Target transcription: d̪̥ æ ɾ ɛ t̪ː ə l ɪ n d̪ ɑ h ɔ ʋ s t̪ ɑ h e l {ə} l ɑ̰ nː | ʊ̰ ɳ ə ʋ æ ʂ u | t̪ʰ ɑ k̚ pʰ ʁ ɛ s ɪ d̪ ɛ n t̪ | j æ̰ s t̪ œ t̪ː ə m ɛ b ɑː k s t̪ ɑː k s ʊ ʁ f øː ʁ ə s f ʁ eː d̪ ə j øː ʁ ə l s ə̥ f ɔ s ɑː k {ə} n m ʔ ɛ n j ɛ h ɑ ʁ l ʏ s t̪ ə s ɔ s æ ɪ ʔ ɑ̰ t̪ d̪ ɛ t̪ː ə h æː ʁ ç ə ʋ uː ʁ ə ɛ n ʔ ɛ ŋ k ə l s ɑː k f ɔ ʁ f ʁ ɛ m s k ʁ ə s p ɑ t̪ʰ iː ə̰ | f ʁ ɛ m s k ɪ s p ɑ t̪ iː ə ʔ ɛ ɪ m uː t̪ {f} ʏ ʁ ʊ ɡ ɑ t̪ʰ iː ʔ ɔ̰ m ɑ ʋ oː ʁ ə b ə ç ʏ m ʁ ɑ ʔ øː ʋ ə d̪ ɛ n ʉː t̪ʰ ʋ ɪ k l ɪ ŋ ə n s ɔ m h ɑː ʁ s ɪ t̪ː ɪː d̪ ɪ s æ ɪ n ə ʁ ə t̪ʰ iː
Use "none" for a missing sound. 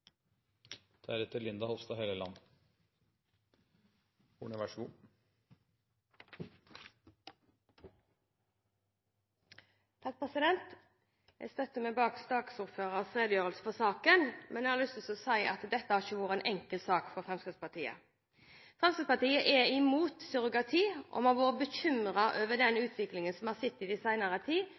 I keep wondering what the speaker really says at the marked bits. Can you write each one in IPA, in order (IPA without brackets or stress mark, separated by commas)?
ə, ə, s